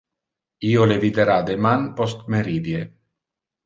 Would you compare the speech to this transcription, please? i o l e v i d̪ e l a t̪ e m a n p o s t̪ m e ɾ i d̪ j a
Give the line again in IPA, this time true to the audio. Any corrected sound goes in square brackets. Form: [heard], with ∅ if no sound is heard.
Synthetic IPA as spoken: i o l e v i d̪ e [ɾ] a [d̪] e m a n p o s t̪ m e ɾ i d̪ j [e]